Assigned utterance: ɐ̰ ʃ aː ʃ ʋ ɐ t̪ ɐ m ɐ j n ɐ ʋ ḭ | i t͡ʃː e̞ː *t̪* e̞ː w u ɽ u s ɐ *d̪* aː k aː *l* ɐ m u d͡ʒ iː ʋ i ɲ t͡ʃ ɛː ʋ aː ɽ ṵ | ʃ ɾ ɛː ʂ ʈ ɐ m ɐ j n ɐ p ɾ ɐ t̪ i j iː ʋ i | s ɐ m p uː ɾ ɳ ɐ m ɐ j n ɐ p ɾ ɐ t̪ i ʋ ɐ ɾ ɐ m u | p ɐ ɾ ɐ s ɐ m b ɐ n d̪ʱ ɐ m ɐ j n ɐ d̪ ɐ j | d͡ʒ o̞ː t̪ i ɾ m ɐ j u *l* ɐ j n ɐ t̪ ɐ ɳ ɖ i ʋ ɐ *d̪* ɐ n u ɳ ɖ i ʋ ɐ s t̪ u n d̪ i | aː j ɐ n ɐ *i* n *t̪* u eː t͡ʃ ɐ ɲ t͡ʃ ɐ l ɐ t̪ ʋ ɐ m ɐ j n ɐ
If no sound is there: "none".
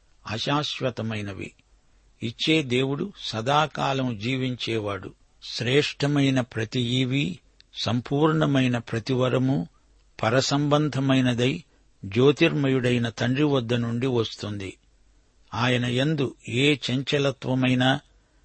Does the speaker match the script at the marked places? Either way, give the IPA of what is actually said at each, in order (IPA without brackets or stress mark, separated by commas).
d̪, d̪, l, ɽ, d̪ː, e, d̪